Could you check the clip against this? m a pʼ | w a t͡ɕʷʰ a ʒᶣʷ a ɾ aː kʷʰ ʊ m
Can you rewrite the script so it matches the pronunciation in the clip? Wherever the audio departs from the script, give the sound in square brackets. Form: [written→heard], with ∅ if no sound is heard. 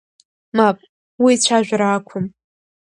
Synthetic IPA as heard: m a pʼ | w [a→i] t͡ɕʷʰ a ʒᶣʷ a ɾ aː kʷʰ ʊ m